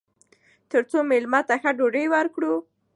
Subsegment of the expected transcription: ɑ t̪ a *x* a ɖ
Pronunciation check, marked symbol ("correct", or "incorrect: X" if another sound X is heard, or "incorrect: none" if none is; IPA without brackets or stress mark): correct